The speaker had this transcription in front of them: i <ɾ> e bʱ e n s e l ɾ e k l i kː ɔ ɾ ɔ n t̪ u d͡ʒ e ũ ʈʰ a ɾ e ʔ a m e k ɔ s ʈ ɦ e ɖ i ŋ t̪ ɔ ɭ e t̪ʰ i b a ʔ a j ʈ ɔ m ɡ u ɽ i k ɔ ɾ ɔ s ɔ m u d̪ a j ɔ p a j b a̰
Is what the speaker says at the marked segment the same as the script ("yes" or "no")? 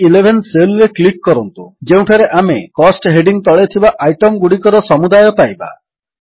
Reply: no